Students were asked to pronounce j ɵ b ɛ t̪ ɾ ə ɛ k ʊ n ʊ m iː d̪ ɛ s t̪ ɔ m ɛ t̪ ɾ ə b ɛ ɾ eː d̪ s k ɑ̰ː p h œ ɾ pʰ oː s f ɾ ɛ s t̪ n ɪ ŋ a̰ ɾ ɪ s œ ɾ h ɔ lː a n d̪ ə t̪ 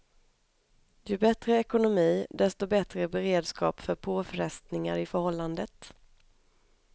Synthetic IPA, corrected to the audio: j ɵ b ɛ t̪ ɾ ə ɛ k ʊ n ʊ m iː d̪ ɛ s t̪ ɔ b ɛ t̪ ɾ ə b ɛ ɾ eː d̪ s k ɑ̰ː p f œ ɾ pʰ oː f ɾ ɛ s t̪ n ɪ ŋ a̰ ɾ ɪ f œ ɾ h ɔ lː a n d̪ ə t̪

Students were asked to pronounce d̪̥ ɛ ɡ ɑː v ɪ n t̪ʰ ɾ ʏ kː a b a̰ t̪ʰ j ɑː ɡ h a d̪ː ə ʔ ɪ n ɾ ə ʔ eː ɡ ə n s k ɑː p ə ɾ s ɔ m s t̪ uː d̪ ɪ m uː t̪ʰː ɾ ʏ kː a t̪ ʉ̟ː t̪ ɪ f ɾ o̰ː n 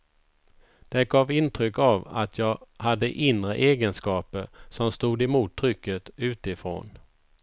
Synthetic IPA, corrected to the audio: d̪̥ ɛ ɡ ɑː v ɪ n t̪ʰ ɾ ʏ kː a v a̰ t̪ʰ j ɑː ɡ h a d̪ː ə ʔ ɪ n ɾ ə ʔ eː ɡ ə n s k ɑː p ə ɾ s ɔ m s t̪ uː d̪ ɪ m uː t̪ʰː ɾ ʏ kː ə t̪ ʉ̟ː t̪ ɪ f ɾ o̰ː n

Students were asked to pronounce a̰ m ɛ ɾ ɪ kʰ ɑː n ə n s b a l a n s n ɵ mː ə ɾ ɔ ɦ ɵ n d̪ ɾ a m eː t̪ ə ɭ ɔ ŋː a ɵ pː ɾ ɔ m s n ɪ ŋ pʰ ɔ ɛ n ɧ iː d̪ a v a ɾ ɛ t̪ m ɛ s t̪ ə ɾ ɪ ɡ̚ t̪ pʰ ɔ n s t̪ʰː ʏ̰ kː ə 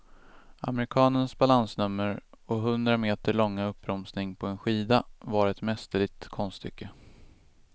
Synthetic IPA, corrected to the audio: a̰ m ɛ ɾ ɪ kʰ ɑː n ə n s b a l a n s n ɵ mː ə ɾ ɔ ɦ ɵ n d̪ ɾ a m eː t̪ ə ɭ ɔ ŋː a ɵ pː ɾ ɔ m s n ɪ ŋ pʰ ɔ ɛ n ɧ iː d̪ a v a ɾ ɛ t̪ m ɛ s t̪ ə ɭ ɪ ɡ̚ t̪ kʰ ɔ n s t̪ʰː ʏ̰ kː ə

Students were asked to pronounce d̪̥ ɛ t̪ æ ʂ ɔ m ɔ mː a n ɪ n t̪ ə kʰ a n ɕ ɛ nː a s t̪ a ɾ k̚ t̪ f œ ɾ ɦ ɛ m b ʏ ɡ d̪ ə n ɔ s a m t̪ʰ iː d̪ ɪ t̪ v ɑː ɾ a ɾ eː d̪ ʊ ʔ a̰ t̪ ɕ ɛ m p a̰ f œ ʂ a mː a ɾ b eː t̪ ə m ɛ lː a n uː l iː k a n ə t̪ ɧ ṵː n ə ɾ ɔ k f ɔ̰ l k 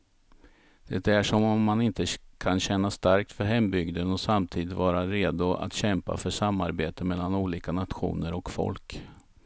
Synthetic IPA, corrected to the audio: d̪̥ ɛ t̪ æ ʂ ɔ m ɔ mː a n ɪ n t̪ ə kʰ a n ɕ ɛ nː a s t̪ a ɾ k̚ t̪ f œ ɾ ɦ ɛ m b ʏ ɡ d̪ ə n ɔ s a m t̪ʰ iː d̪ ɪ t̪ v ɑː ɾ a ɾ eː d̪ ʊ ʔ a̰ t̪ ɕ ɛ m p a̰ f œ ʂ a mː a ɾ b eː t̪ ə m ɛ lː a n uː l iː k a n a t̪ ɧ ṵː n ə ɾ ɔ k f ɔ̰ l k

